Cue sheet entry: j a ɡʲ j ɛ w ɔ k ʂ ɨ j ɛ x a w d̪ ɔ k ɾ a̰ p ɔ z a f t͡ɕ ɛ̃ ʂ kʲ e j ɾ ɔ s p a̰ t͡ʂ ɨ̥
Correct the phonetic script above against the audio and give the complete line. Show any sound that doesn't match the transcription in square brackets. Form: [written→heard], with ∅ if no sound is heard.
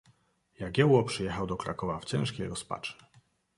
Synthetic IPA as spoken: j a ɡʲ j ɛ w ɔ [k→p] ʂ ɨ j ɛ x a w d̪ ɔ k ɾ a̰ [p→k] ɔ [z→v] a f t͡ɕ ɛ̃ ʂ kʲ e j ɾ ɔ s p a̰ t͡ʂ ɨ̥